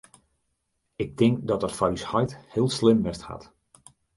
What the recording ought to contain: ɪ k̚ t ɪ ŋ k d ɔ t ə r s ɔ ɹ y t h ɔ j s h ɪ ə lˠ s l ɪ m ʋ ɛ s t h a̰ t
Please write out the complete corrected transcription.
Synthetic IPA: ɪ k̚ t ɪ ŋ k d ɔ t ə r f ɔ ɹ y s h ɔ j t h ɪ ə lˠ s l ɪ m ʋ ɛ s t h a̰ t